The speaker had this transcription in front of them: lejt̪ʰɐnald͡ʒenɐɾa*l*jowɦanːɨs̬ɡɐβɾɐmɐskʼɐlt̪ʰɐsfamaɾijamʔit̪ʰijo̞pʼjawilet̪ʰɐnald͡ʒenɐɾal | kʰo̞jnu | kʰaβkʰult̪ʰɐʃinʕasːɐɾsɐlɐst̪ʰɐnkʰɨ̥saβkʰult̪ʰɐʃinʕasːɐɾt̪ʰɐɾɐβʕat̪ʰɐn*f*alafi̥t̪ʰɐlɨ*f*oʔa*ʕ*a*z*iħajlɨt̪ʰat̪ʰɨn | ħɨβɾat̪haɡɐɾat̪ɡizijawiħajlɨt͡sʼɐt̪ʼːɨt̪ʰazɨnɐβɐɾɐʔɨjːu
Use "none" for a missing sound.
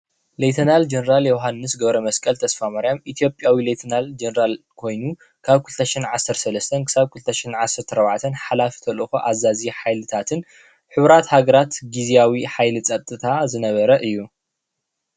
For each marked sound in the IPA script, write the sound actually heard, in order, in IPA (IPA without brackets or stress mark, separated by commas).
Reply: l, ħ, x, z, z